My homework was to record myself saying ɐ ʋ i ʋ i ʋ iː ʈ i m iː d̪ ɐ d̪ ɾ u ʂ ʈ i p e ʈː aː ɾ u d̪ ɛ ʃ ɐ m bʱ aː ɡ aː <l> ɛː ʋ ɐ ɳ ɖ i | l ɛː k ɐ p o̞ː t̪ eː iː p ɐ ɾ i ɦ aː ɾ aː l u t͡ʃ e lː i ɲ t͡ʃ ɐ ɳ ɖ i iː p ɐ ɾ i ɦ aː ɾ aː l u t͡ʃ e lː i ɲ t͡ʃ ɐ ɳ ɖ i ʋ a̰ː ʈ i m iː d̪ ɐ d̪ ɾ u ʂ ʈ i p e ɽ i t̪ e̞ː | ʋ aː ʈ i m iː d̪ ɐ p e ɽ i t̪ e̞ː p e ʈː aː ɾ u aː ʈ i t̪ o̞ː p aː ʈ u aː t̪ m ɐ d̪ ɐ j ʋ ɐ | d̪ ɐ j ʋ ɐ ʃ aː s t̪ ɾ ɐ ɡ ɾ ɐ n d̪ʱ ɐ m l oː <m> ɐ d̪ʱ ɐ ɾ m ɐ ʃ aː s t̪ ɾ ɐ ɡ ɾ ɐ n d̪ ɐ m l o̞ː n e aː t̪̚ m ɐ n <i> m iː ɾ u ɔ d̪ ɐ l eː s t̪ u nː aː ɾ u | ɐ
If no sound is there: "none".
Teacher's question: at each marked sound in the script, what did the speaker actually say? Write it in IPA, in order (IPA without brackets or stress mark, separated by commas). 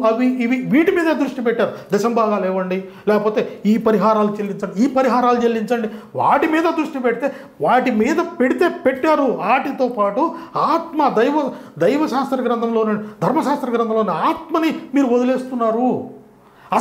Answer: l, n, i